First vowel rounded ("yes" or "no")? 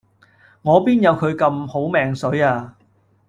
yes